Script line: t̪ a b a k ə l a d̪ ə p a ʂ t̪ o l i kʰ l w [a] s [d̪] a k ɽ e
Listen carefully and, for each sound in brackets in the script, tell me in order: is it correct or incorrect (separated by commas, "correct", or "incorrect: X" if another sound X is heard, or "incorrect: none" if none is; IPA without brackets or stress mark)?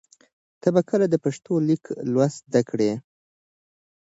correct, correct